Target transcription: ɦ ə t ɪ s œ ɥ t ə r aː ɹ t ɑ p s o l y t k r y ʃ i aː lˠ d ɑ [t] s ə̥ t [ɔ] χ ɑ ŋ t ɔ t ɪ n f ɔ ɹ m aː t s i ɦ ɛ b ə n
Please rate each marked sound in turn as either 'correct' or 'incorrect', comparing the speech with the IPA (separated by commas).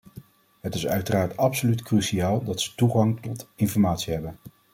correct, incorrect